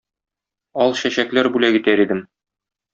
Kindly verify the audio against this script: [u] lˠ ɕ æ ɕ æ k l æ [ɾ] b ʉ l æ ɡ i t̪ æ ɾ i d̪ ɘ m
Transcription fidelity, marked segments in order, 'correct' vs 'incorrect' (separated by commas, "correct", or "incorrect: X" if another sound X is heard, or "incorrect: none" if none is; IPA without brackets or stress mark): incorrect: ɒ, correct